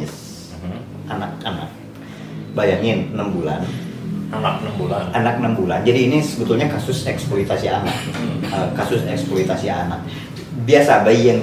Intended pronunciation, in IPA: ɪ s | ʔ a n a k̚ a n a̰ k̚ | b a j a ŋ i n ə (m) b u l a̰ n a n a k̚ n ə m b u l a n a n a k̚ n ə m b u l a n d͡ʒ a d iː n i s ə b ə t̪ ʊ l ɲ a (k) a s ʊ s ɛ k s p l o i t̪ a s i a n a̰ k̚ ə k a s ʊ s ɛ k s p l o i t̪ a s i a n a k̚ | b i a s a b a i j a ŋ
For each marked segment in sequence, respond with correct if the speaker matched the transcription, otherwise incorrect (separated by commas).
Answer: correct, correct